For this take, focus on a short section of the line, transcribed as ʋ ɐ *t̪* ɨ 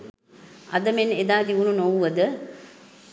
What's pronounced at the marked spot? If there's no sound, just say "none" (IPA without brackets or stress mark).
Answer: d̪